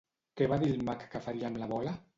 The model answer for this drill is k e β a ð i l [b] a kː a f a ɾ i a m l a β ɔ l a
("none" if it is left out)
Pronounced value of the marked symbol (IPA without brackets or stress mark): m